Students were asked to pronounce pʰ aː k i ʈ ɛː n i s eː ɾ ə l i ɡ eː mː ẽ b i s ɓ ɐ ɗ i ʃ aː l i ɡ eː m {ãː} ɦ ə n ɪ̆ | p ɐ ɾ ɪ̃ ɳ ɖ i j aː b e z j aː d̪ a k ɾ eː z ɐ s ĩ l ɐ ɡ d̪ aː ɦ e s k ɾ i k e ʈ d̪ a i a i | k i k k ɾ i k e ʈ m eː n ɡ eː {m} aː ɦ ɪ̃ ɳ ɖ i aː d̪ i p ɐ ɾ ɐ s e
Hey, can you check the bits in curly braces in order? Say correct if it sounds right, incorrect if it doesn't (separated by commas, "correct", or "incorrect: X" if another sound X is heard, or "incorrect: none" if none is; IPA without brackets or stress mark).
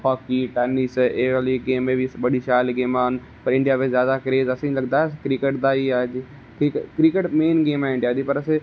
incorrect: aː, correct